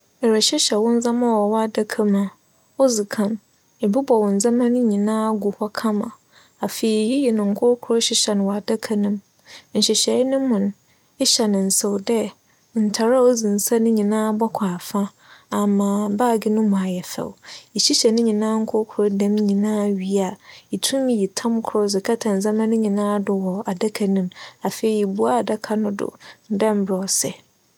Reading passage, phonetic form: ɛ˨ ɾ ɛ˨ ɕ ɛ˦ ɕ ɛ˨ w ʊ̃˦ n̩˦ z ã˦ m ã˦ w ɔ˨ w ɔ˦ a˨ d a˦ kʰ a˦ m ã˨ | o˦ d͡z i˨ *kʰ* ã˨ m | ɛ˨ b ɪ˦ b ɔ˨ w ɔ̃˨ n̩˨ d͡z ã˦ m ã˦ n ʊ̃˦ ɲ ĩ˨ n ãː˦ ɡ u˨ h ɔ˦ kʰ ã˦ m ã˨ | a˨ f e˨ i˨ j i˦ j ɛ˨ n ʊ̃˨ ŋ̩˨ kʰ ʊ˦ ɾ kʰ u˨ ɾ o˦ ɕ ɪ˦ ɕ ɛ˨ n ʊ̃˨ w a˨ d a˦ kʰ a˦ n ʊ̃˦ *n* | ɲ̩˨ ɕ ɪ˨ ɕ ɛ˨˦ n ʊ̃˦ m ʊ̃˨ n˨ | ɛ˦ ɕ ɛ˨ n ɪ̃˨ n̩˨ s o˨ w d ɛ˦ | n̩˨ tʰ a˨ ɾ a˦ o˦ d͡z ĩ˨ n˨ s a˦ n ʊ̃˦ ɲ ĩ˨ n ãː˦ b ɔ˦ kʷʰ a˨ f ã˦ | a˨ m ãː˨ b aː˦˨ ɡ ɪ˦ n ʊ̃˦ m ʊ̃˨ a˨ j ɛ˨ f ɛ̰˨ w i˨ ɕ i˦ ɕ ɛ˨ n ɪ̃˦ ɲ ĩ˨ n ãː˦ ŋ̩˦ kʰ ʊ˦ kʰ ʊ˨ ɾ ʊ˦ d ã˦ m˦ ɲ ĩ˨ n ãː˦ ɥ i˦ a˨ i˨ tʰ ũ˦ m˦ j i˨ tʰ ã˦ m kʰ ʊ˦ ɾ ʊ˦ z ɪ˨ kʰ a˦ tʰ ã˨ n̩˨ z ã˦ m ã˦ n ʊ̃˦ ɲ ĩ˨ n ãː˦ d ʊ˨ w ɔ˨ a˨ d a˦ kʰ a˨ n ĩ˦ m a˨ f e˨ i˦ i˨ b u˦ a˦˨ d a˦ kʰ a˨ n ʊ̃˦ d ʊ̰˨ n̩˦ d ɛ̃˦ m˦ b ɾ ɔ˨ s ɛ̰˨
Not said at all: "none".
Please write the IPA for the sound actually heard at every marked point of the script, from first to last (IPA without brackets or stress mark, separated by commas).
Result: kʰ, m